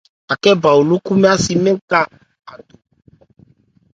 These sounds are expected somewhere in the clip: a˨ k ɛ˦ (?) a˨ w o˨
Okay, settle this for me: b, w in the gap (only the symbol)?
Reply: b